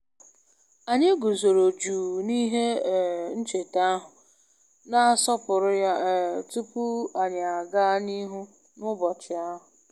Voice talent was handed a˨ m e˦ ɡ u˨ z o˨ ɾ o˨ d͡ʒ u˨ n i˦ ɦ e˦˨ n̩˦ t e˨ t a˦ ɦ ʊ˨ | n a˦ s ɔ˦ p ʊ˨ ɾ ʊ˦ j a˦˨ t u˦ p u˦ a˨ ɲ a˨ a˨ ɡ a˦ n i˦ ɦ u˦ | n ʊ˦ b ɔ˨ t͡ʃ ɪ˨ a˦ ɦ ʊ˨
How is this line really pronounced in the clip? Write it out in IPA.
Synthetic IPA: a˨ ɲ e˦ ɡ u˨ z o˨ ɾ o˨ d͡ʒ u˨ n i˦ ɦ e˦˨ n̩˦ t͡ʃ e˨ t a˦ ɦ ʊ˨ | n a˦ s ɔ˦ p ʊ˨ ɾ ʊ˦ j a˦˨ t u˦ p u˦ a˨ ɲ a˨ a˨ ɡ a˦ n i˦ ɦ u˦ | n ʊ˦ b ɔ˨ t͡ʃ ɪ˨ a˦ ɦ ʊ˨